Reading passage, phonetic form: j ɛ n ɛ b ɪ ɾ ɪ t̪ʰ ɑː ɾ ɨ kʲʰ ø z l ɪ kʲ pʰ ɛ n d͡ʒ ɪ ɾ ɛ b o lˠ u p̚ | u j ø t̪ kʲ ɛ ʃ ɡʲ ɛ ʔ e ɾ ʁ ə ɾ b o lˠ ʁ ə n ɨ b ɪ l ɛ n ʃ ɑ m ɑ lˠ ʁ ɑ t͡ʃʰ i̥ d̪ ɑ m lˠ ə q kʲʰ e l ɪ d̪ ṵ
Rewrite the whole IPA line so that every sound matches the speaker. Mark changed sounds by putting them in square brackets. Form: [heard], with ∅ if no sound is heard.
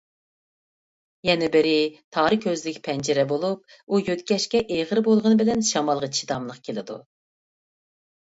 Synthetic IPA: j ɛ n ɛ b ɪ ɾ ɪ t̪ʰ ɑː ɾ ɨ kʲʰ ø z l ɪ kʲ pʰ ɛ n d͡ʒ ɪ ɾ ɛ b o lˠ u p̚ | u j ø t̪ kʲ ɛ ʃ [kʲ] ɛ ʔ e [∅] ʁ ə ɾ b o lˠ ʁ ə n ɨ b ɪ l ɛ n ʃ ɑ m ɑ lˠ ʁ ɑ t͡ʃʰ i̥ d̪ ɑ m lˠ ə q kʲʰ e l ɪ d̪ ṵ